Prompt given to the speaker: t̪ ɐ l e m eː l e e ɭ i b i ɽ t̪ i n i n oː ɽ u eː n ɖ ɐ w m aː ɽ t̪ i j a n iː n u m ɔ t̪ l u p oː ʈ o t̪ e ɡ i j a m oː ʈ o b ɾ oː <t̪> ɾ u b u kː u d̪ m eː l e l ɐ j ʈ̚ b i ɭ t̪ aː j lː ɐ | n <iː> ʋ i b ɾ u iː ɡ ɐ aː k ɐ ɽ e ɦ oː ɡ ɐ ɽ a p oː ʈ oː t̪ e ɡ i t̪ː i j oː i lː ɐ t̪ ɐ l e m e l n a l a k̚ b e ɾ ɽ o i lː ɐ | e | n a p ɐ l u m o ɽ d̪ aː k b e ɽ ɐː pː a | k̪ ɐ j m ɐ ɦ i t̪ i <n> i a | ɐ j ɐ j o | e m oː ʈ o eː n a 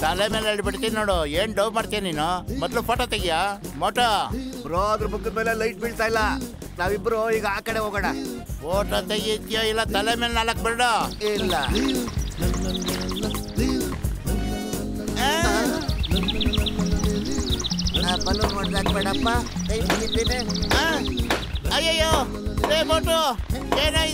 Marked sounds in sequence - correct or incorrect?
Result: incorrect: d̪, incorrect: aː, correct

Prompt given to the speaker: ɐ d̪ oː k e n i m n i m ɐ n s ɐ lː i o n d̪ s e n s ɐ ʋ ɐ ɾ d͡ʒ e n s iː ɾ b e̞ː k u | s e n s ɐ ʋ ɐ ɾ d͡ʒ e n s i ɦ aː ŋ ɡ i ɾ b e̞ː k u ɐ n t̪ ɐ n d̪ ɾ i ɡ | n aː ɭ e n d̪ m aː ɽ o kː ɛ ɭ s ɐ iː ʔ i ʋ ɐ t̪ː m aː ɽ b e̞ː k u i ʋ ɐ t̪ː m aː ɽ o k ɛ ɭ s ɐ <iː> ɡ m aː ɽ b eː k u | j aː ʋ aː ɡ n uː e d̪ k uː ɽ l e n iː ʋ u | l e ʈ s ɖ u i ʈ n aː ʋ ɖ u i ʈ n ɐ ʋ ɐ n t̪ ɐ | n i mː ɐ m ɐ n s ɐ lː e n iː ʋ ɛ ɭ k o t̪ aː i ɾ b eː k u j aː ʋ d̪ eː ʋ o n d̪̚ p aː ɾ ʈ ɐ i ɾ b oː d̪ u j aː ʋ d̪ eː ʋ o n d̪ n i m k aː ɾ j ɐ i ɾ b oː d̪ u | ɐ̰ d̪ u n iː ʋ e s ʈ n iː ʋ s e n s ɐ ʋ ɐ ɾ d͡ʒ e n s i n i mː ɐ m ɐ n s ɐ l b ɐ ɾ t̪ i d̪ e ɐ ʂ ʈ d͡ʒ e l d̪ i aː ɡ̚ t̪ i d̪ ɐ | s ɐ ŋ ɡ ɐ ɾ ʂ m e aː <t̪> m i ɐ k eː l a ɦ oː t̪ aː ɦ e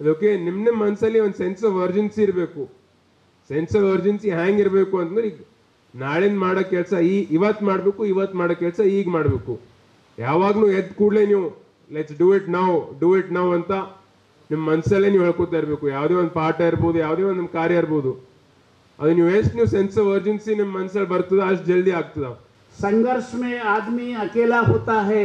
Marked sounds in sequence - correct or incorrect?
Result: correct, incorrect: d̪

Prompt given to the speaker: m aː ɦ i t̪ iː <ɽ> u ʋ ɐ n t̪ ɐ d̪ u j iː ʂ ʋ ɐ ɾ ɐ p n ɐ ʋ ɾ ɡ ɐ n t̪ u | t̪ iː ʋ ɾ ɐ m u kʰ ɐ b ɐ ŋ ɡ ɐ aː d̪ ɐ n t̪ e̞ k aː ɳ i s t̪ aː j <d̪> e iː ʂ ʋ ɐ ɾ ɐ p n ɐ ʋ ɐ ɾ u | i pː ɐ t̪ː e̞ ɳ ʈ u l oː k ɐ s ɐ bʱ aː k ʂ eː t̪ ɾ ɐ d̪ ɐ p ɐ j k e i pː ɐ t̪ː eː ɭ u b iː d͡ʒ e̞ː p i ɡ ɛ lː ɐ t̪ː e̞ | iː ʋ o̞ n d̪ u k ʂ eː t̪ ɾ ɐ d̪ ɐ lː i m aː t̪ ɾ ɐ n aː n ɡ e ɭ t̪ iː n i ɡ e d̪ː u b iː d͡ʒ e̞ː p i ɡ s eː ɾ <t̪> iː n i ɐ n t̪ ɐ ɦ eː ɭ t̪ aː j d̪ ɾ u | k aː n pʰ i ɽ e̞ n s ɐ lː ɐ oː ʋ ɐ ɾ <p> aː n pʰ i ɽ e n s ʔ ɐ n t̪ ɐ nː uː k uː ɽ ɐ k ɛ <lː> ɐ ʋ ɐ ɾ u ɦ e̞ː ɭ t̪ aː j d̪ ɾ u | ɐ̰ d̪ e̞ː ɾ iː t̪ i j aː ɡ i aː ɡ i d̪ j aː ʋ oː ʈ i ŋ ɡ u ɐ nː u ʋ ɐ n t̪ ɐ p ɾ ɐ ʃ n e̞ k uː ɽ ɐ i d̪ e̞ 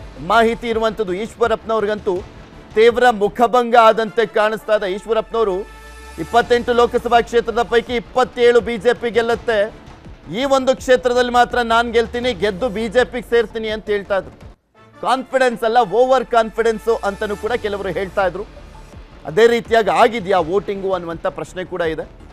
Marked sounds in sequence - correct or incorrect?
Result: incorrect: ɾ, correct, correct, incorrect: k, incorrect: l

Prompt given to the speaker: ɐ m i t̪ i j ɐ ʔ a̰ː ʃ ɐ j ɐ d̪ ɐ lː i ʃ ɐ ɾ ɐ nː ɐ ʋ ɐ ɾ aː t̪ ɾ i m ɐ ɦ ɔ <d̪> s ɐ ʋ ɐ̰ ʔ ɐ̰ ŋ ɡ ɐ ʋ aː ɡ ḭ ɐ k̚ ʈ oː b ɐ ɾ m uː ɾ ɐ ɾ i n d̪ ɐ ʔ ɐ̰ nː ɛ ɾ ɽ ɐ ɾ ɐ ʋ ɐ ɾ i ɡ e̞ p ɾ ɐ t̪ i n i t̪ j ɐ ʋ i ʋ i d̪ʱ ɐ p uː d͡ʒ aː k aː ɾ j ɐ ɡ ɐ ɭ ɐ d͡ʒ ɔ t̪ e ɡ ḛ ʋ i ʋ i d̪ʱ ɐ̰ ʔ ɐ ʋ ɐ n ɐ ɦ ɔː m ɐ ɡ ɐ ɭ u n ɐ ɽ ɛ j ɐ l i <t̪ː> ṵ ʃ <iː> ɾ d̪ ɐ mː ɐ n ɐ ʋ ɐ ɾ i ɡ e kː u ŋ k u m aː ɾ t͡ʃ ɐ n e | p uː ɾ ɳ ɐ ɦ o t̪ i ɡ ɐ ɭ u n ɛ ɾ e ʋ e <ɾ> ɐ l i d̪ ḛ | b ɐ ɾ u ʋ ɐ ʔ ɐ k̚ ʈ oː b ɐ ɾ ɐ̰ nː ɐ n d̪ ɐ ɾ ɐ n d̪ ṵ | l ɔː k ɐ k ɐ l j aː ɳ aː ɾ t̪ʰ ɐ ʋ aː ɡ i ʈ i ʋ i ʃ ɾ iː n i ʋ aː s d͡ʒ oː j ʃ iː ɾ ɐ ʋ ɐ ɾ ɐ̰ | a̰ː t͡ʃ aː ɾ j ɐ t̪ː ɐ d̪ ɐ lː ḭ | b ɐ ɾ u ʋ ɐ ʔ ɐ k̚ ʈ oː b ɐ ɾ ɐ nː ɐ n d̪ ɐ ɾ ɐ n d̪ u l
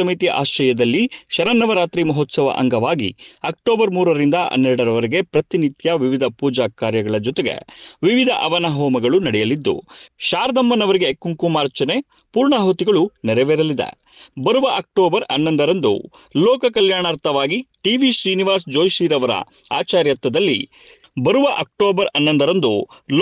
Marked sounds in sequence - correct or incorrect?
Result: incorrect: t̪, incorrect: d̪ː, incorrect: aː, correct

